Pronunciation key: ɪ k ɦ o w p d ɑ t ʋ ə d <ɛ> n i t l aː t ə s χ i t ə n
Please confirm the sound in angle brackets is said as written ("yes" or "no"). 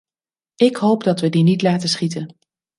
no